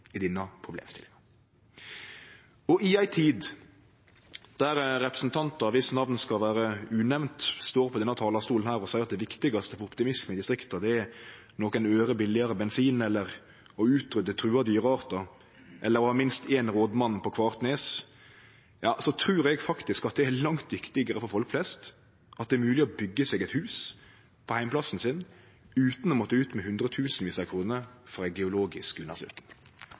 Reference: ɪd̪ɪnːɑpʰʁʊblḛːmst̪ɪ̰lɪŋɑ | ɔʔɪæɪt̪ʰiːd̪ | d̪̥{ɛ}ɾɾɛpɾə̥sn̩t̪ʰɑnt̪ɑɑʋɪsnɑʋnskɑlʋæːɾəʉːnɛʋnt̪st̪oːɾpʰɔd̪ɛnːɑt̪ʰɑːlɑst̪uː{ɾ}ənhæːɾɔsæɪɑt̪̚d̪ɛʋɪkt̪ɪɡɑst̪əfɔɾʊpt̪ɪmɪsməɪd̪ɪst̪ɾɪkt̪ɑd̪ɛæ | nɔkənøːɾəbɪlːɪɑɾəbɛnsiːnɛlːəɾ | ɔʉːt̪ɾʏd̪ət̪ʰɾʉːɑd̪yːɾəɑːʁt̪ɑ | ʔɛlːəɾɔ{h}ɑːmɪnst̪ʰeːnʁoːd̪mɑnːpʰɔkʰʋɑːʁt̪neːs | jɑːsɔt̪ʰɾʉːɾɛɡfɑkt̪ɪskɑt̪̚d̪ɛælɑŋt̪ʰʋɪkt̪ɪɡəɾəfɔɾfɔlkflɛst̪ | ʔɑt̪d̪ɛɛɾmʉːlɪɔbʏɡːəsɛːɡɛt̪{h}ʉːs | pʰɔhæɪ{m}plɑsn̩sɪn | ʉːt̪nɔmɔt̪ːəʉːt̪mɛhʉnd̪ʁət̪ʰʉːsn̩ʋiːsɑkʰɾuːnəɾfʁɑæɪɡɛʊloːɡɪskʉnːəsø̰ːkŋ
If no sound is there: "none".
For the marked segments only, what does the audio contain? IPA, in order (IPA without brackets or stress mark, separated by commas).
æ, l, h, h, m